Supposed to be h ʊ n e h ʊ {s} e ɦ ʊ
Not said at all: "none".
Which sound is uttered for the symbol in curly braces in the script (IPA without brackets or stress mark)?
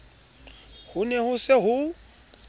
s